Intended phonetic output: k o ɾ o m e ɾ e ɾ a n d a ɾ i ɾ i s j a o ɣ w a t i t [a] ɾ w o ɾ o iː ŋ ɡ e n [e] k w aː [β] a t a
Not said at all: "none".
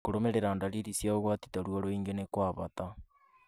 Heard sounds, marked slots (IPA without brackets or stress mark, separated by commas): a, e, β